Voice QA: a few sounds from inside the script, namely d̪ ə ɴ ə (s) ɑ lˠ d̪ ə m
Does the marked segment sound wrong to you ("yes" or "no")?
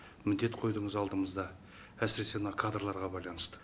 yes